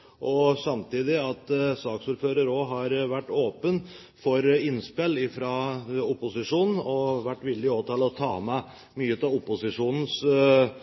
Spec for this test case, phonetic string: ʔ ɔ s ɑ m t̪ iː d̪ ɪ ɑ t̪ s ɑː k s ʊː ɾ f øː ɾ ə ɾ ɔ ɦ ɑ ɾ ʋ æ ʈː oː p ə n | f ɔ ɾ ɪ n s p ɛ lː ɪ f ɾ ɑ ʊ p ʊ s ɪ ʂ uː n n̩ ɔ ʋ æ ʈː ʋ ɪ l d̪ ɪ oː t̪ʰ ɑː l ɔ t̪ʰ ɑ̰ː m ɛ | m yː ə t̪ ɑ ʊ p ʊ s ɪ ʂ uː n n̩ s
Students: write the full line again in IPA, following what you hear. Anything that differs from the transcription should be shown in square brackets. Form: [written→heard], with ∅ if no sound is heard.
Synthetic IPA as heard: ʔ ɔ s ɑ m t̪ iː d̪ ɪ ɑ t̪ s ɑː k s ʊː ɾ f øː ɾ ə ɾ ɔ ɦ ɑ ɾ ʋ æ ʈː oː p ə n | f ɔ ɾ ɪ n s p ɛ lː ɪ f ɾ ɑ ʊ p ʊ s ɪ ʂ uː n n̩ ɔ ʋ æ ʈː ʋ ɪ l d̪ ɪ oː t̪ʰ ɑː l ɔ t̪ʰ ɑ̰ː m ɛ | m yː ə t̪ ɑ ʊ p ʊ s ɪ ʂ uː n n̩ s